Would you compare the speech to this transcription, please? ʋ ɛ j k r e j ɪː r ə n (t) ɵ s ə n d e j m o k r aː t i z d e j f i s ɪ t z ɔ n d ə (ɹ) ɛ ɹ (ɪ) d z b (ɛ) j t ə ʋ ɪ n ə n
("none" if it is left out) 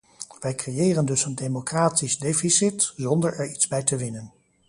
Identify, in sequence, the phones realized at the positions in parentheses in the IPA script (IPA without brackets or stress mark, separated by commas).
d, ɹ, i, ɛ